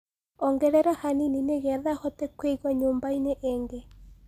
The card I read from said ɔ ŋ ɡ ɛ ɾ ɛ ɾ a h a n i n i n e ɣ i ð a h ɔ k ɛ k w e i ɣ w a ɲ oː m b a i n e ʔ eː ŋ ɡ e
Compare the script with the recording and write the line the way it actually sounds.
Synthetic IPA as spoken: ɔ ŋ ɡ ɛ ɾ ɛ ɾ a h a n i n i n e ɣ ɛ ð a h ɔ t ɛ k w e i ɣ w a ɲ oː m b a i n e ʔ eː ŋ ɡ e